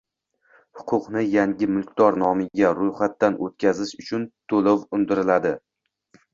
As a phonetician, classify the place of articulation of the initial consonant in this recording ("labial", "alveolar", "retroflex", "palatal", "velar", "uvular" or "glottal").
glottal